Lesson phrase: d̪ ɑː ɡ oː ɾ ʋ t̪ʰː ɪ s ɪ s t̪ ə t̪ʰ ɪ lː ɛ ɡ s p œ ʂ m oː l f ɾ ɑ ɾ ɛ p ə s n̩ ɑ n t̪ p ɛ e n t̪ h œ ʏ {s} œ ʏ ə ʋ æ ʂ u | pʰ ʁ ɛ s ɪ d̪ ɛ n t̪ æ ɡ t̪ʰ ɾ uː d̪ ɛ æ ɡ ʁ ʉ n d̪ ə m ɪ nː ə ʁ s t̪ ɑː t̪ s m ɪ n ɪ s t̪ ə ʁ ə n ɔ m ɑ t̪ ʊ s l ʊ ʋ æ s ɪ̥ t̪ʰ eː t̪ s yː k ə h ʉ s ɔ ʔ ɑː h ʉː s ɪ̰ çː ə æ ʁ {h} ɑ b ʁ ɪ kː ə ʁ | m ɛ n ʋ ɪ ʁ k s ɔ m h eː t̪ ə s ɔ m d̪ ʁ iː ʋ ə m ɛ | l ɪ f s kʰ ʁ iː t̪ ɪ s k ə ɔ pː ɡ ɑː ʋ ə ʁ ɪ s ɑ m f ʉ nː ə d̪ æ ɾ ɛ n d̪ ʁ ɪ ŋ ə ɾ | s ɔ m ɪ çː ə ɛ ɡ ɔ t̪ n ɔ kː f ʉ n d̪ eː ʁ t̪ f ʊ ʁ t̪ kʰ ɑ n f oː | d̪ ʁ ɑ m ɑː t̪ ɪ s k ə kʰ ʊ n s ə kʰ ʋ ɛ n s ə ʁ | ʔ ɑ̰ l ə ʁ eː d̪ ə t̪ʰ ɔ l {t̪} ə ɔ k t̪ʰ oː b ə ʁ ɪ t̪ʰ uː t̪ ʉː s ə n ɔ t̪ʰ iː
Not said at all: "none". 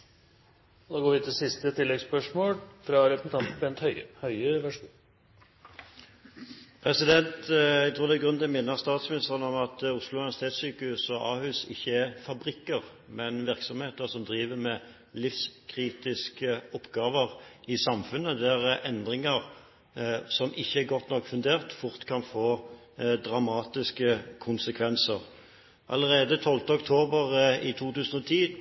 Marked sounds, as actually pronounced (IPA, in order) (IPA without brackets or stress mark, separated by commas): h, f, t̪